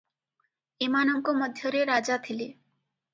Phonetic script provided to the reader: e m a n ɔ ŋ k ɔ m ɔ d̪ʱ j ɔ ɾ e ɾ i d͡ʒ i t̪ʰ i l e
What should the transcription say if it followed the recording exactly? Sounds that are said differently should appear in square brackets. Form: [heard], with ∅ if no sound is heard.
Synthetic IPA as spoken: e m a n ɔ ŋ k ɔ m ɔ d̪ʱ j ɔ ɾ e ɾ [a] d͡ʒ [a] t̪ʰ i l e

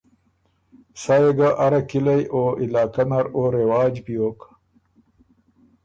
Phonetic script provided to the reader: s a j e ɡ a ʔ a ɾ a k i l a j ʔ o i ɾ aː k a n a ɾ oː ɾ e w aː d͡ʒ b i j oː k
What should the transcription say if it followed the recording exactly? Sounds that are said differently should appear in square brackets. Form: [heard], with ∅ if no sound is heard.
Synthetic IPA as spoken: s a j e ɡ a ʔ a ɾ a k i l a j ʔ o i [l] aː k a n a ɾ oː ɾ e w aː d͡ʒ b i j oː k

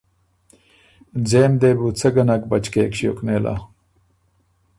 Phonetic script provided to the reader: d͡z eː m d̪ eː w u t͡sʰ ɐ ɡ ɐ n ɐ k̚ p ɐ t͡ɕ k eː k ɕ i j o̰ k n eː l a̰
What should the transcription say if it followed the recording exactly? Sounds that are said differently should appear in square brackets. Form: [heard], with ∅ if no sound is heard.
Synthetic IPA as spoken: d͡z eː m d̪ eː [b] u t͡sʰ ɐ ɡ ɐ n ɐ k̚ [b] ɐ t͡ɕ k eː k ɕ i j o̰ k n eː l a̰

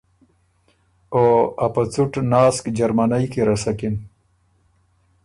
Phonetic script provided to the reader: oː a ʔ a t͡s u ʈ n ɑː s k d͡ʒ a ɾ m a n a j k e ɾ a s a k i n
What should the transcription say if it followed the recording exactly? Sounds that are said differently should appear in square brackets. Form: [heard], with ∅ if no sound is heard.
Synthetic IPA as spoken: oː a [p] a t͡s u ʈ n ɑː s k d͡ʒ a ɾ m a n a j k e ɾ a s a k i n

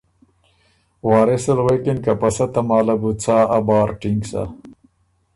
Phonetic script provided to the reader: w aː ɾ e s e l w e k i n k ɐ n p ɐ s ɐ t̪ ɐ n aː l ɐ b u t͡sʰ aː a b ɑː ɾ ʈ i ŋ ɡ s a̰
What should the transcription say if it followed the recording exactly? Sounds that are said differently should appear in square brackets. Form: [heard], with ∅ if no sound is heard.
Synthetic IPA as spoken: w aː ɾ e s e l w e k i n k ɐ [∅] p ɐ s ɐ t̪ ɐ [m] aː l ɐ b u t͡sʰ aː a b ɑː ɾ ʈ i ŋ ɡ s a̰

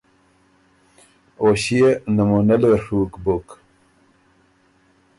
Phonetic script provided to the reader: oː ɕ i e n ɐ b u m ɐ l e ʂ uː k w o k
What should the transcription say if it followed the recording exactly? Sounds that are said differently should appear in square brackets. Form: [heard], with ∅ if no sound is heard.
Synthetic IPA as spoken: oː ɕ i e n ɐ [m] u [n] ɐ l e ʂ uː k [b] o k

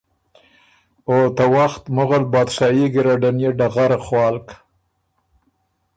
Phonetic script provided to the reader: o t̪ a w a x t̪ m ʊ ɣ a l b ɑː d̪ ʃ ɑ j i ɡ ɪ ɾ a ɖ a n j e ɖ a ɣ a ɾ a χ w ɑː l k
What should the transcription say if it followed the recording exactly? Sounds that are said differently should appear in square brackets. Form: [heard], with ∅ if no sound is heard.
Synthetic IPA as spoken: o t̪ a w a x t̪ m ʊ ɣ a l b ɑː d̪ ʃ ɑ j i ɡ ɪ ɾ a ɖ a n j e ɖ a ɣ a ɾ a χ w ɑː l k

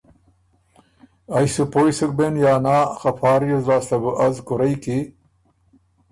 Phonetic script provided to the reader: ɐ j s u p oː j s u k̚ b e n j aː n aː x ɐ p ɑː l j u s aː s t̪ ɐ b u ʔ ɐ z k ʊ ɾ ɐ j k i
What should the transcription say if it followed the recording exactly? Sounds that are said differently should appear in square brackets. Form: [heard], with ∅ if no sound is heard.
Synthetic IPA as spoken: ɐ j s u p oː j s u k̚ b e n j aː n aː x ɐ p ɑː [ɾ] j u [z] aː s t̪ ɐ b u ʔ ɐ z k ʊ ɾ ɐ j k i

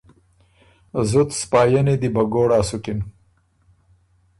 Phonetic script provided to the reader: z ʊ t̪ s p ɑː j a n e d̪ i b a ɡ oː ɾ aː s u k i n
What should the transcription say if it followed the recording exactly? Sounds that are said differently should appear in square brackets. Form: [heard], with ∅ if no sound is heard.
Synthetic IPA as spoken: z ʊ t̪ s p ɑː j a n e d̪ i b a ɡ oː [ɽ] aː s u k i n

